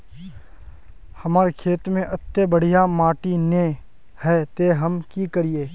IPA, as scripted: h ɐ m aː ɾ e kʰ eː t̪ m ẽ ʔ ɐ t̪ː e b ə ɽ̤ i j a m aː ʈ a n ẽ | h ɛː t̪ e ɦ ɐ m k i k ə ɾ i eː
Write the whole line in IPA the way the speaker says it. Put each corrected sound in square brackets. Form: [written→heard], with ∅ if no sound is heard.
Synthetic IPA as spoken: h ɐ m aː ɾ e kʰ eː t̪ m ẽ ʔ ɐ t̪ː e b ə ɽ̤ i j a m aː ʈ [a→i] n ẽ | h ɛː t̪ e ɦ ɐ m k i k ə ɾ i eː